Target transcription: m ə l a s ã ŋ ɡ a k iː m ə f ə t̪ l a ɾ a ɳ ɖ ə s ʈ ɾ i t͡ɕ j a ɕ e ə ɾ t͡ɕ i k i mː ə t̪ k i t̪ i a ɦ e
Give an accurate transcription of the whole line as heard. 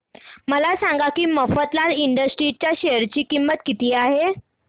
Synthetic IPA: m ə l a s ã ŋ ɡ a k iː m ə f ə t̪ l a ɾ i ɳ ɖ ə s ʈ ɾ i t͡ɕ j a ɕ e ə ɾ t͡ɕ iː k i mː ə t̪ k i t̪ iː a ɦ e